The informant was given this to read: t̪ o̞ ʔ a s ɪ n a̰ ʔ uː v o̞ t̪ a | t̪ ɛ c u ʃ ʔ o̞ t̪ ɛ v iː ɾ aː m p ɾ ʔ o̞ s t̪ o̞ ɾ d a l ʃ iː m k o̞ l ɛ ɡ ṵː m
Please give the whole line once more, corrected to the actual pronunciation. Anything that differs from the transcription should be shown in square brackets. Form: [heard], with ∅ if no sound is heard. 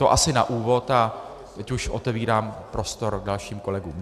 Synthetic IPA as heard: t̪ o̞ ʔ a s ɪ n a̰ ʔ uː v o̞ t̪ a | t̪ ɛ c u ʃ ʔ o̞ t̪ ɛ v iː ɾ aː m p ɾ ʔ o̞ s t̪ o̞ ɾ d a l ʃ iː m k o̞ l ɛ ɡ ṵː m